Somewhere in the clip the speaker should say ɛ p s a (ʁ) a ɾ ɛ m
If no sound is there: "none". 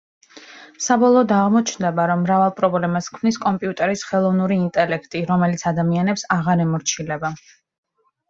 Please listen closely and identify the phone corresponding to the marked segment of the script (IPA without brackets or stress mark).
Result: ʁ